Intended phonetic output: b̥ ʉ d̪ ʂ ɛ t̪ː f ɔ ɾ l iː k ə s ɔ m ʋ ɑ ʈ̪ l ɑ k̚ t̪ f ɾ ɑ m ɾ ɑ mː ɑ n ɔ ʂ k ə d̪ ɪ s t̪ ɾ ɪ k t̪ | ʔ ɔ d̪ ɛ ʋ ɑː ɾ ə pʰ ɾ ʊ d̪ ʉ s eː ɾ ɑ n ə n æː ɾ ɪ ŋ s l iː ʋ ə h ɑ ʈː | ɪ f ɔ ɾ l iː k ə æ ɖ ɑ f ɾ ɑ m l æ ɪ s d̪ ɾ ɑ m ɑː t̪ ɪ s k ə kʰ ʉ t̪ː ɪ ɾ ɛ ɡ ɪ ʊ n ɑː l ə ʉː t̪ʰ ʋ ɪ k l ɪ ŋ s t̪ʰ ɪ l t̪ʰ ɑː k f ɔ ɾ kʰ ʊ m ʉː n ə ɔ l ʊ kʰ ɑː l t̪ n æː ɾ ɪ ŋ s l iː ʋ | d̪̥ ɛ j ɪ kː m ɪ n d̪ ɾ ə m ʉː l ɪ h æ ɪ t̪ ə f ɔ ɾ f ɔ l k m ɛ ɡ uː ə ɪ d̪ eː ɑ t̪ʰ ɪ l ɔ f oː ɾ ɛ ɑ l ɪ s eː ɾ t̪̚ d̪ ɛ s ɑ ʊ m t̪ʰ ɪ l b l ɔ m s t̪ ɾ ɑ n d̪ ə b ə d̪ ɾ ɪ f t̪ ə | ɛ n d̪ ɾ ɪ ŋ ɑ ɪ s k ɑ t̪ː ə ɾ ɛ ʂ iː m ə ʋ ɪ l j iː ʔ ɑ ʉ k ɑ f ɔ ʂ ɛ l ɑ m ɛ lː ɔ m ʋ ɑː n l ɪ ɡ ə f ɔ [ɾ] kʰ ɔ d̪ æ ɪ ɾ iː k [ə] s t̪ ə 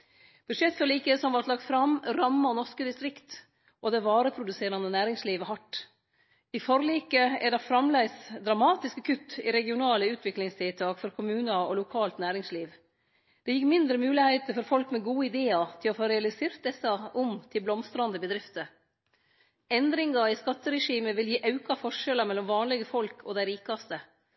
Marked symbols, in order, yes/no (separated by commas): no, no